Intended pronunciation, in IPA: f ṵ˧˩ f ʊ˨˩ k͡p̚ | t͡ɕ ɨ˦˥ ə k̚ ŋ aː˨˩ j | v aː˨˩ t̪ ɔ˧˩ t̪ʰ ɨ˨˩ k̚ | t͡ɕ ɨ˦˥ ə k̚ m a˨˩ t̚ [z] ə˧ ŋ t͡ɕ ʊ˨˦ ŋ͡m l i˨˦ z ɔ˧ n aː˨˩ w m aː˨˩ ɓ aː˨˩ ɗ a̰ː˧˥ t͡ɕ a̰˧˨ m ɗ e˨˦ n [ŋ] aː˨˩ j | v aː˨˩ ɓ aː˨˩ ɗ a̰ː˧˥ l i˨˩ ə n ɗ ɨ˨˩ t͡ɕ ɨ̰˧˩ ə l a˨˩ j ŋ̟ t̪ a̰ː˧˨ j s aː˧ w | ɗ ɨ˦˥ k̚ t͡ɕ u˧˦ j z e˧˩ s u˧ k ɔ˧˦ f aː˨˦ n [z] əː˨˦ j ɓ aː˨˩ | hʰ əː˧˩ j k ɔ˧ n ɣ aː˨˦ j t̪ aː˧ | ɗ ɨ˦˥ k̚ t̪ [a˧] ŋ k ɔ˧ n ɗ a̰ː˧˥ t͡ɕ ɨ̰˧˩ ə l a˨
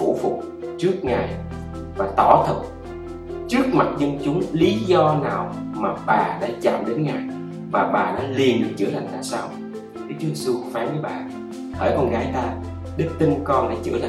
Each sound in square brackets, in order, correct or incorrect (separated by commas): correct, correct, incorrect, incorrect